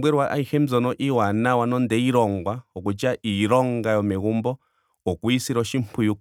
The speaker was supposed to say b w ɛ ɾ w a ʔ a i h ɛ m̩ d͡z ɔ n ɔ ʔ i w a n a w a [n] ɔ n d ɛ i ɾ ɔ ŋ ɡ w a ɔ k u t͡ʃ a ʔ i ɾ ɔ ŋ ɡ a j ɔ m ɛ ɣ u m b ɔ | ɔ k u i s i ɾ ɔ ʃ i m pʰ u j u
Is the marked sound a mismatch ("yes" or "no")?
no